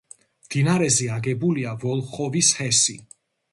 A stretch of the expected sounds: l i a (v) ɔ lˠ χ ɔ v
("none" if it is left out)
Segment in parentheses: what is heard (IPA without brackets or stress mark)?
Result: v